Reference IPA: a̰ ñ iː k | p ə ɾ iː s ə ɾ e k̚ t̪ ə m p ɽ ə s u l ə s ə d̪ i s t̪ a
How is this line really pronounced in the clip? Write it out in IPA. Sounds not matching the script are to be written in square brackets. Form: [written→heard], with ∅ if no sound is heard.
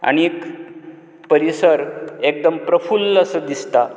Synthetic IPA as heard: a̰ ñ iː k | p ə ɾ [iː→i] s ə ɾ e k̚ [t̪→d̪] ə m p [ɽ→ɾ] ə [s→f] u l ə s ə d̪ i s t̪ a

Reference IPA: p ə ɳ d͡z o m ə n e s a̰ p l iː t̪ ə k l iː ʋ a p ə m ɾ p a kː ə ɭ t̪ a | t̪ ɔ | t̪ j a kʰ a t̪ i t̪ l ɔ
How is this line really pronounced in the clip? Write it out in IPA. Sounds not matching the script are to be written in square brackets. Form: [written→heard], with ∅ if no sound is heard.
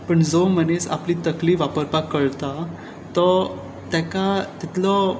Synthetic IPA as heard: p ə ɳ d͡z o m ə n e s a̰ p l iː t̪ ə k l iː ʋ a p ə [m→∅] ɾ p a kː ə ɭ t̪ a | t̪ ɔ | t̪ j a [kʰ→k] a t̪ i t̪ l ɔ

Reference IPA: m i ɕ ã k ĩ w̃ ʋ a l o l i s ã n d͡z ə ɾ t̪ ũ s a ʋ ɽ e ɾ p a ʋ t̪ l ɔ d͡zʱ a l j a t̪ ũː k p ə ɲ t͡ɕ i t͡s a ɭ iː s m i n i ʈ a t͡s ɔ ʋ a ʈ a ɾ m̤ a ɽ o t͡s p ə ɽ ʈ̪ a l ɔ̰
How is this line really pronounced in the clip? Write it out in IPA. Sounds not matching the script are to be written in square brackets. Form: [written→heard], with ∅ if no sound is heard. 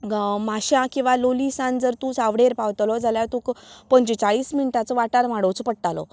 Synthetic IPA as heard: m [i→a] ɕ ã k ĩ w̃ ʋ a l o l i s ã n d͡z ə ɾ t̪ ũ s a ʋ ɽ e ɾ p a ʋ t̪ l ɔ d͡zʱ a l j a t̪ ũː k p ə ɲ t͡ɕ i t͡s a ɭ iː s m i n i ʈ a t͡s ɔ ʋ a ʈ a ɾ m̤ a ɽ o t͡s p ə ɽ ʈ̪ a l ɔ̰

